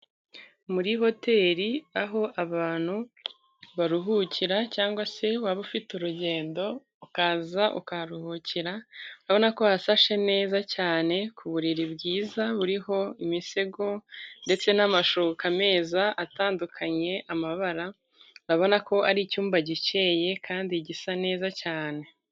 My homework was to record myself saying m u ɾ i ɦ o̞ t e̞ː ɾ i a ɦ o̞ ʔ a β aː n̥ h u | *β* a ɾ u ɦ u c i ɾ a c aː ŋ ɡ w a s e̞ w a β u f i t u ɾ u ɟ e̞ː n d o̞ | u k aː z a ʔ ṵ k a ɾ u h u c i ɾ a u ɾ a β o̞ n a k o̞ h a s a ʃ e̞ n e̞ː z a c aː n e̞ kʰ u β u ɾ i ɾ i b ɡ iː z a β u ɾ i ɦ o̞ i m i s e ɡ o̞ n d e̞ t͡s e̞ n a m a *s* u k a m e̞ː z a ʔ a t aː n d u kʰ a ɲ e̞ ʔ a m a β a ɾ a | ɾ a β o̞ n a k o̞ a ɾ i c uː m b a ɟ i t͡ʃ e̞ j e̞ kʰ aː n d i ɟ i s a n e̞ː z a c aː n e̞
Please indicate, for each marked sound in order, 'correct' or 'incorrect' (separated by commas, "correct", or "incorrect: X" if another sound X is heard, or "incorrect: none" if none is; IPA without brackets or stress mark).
correct, incorrect: ʃ